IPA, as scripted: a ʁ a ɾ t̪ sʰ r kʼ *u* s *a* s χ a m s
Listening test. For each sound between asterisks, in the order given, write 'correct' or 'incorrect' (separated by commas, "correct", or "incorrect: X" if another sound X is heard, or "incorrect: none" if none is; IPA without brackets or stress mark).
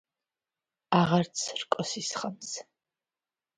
incorrect: ɔ, incorrect: i